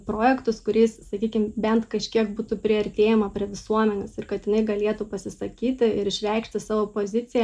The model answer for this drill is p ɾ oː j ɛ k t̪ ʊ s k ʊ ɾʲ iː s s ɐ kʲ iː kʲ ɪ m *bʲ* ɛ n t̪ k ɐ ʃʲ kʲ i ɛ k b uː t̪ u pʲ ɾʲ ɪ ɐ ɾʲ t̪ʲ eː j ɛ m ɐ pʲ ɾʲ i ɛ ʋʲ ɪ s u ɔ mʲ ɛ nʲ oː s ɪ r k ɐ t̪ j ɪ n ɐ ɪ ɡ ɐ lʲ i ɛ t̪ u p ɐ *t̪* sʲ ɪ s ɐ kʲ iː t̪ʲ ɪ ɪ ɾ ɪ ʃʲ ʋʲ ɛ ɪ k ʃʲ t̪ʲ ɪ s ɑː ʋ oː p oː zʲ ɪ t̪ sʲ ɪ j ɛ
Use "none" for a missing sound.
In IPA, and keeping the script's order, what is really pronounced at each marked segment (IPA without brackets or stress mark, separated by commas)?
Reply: bʲ, none